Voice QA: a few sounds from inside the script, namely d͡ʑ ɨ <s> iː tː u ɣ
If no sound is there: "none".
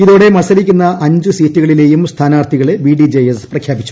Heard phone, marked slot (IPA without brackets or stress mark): s